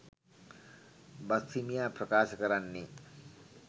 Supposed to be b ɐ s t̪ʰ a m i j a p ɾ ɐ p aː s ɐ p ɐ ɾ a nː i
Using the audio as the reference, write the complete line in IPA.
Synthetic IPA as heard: b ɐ s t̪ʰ i m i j a p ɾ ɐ k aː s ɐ k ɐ ɾ a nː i